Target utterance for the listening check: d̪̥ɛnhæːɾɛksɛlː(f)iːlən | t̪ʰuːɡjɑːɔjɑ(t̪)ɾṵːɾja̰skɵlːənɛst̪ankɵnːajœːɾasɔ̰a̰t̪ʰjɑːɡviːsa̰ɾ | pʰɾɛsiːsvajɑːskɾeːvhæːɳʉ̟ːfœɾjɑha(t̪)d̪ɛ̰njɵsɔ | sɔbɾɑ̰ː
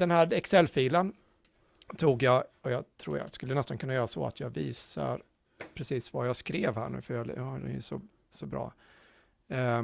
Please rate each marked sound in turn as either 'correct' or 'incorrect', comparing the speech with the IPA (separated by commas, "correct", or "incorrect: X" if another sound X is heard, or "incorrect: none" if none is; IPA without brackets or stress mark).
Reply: correct, incorrect: t̪ʰ, incorrect: none